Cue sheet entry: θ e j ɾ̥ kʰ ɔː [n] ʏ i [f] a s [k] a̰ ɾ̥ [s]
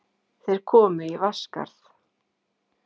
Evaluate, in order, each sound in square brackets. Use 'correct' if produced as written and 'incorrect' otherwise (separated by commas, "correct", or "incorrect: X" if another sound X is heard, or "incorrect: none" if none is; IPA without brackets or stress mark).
incorrect: m, incorrect: v, correct, incorrect: θ